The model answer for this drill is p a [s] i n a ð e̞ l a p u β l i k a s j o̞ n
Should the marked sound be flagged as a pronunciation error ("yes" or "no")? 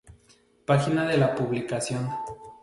yes